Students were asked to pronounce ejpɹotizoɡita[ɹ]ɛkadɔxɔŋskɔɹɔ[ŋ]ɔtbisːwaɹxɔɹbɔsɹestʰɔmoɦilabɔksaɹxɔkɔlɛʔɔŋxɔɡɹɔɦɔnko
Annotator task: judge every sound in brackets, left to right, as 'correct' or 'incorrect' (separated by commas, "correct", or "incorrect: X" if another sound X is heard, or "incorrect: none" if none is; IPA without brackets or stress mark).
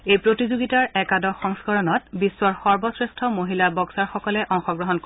correct, incorrect: n